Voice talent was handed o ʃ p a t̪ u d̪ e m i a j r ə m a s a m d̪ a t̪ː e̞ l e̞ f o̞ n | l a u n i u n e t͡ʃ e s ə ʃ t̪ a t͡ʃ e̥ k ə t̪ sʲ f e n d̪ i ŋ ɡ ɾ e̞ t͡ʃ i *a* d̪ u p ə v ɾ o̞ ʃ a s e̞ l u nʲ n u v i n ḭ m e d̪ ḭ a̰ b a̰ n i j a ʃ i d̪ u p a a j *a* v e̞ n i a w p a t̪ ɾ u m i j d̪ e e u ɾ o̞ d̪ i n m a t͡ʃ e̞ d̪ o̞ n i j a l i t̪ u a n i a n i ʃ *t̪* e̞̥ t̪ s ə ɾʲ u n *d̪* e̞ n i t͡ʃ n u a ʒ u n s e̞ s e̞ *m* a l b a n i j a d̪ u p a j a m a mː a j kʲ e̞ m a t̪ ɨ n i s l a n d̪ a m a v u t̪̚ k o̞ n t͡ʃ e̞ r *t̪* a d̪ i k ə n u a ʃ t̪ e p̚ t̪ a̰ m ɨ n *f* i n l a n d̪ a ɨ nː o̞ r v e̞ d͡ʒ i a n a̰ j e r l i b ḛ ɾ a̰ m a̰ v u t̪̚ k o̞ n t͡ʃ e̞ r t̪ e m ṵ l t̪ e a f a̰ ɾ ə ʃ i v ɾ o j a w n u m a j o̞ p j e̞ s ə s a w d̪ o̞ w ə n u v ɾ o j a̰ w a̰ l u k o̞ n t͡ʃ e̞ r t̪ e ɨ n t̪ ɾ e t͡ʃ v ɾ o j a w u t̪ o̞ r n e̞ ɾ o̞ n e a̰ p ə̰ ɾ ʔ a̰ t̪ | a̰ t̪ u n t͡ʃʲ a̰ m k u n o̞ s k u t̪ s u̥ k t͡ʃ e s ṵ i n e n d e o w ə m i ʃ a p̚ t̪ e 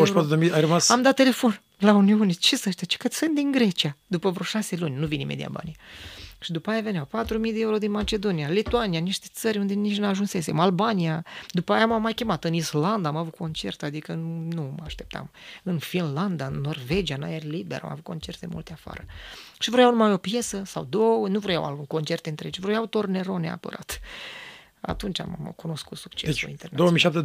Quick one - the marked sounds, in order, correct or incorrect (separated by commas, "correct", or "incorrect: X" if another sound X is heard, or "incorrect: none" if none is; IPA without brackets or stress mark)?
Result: correct, correct, correct, correct, correct, correct, correct